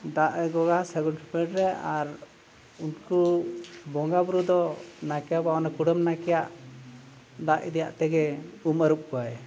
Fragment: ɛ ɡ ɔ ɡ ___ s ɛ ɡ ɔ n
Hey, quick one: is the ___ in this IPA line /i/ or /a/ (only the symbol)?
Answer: a